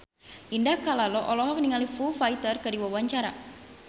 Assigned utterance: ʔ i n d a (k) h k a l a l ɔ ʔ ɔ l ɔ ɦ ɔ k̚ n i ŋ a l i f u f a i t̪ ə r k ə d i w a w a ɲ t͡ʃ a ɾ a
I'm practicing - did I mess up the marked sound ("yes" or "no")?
yes